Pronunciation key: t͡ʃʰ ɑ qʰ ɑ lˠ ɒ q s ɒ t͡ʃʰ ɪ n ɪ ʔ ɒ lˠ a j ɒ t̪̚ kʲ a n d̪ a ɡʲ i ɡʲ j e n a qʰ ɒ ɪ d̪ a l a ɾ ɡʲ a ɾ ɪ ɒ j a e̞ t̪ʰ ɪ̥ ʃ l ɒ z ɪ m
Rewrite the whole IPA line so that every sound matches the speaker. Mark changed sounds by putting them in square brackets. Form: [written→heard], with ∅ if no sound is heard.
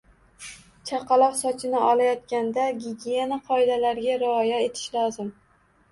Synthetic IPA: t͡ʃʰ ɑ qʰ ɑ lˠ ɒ q s ɒ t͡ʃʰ ɪ n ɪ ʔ ɒ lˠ a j ɒ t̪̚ kʲ a n d̪ a ɡʲ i ɡʲ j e n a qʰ ɒ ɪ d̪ a l a ɾ ɡʲ a ɾ ɪ ɒ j a e̞ t̪ʰ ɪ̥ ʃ l ɒ z ɪ m

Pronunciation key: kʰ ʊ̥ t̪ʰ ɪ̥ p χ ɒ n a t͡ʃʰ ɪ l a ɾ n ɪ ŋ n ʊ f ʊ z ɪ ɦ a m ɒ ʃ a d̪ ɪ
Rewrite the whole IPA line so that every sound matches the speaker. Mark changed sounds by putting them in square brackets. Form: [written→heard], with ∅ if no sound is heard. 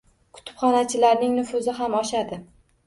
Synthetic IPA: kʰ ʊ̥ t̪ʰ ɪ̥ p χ ɒ n a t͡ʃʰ ɪ l a ɾ n ɪ ŋ n ʊ f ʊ z ɪ ɦ a m ɒ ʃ a d̪ ɪ

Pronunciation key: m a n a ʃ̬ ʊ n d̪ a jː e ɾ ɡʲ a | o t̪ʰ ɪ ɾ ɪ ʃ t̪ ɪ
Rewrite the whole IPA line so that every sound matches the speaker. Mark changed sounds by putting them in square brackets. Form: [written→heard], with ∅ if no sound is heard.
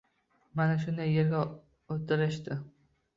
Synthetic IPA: m a n a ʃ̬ ʊ n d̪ a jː e ɾ ɡʲ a | o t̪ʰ ɪ ɾ ɪ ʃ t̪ ɪ

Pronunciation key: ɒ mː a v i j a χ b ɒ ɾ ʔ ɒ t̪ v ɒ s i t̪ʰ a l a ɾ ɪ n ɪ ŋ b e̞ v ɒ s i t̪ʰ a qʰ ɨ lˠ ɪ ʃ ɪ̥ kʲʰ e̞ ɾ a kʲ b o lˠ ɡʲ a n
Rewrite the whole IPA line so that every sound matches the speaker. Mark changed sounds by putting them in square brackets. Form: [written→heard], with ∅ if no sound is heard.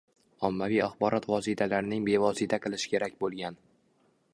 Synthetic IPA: ɒ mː a v i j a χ b ɒ ɾ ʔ ɒ t̪ v ɒ s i t̪ʰ a l a ɾ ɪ n ɪ ŋ b e̞ v ɒ s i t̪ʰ a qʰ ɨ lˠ ɪ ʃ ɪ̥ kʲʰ e̞ ɾ a kʲ b o lˠ ɡʲ a n

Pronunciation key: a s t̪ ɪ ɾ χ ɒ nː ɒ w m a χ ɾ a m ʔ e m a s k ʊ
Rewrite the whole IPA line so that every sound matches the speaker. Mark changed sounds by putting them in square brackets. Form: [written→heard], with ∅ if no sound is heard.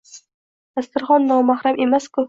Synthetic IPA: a s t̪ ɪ ɾ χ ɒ nː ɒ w m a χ ɾ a m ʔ e m a s k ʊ

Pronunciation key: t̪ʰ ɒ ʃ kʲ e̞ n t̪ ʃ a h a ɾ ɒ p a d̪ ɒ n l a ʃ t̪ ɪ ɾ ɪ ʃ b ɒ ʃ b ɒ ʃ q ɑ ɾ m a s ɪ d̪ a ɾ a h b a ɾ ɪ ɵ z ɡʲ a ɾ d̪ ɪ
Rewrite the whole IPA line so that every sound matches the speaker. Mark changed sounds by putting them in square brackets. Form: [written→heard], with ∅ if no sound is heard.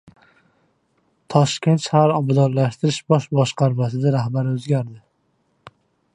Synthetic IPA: t̪ʰ ɒ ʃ kʲ e̞ n t̪ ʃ a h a ɾ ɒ [p→b] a d̪ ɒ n l a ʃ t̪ ɪ ɾ ɪ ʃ b ɒ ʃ b ɒ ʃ q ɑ ɾ m a s ɪ d̪ a ɾ a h b a ɾ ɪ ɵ z ɡʲ a ɾ d̪ ɪ

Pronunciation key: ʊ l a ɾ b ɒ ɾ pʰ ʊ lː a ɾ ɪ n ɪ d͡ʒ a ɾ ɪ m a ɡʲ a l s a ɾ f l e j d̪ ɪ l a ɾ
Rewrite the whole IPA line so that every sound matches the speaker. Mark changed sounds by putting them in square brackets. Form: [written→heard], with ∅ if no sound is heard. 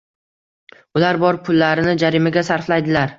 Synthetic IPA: ʊ l a ɾ b ɒ ɾ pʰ ʊ lː a ɾ ɪ n ɪ d͡ʒ a ɾ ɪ m a ɡʲ a [l→∅] s a ɾ f l [e→a] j d̪ ɪ l a ɾ

